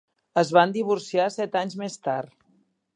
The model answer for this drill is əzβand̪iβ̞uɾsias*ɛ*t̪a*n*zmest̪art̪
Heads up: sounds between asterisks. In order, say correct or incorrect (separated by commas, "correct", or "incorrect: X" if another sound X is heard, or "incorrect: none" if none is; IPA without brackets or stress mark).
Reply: correct, incorrect: ɲ